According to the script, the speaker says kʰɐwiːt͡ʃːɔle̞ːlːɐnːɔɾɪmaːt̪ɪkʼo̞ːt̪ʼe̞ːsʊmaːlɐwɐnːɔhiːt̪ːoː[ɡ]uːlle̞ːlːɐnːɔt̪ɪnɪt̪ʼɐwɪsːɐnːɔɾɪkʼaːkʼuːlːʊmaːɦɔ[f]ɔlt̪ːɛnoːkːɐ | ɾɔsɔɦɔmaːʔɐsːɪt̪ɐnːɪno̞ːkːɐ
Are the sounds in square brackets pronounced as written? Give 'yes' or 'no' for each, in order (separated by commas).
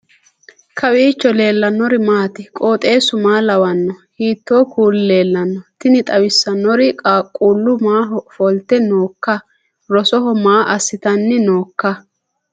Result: no, yes